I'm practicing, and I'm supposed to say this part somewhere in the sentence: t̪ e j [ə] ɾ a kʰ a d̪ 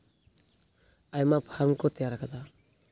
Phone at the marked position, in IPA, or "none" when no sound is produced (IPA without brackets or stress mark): a